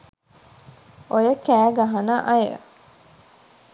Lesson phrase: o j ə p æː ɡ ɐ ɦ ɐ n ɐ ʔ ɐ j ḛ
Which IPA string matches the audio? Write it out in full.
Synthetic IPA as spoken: o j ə k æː ɡ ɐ ɦ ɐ n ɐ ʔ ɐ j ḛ